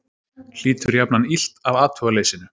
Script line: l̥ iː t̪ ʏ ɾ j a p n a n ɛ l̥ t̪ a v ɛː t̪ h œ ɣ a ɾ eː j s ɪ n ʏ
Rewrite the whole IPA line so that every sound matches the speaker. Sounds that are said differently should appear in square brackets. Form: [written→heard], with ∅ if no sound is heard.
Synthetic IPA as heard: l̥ iː t̪ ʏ ɾ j a p n a n [ɛ→i] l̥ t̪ a v [ɛː→aː] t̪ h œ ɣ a [ɾ→l] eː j s ɪ n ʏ